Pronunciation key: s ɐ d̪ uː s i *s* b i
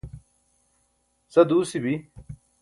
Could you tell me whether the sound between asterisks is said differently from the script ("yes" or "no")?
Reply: yes